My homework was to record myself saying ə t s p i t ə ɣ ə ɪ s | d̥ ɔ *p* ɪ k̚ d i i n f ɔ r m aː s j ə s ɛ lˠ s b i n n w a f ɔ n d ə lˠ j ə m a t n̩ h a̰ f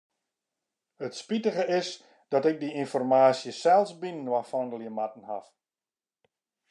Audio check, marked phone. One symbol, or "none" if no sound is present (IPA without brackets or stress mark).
t